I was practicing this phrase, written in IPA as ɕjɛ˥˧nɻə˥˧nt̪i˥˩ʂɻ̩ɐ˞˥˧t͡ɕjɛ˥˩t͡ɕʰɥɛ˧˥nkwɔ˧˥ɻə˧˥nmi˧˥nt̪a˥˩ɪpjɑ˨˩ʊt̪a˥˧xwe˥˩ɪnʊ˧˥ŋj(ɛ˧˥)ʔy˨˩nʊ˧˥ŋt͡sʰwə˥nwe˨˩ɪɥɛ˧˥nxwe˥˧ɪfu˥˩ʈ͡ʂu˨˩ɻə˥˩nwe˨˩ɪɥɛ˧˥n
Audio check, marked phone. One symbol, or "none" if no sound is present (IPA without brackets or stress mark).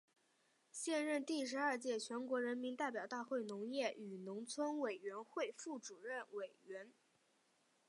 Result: ɛ˥˩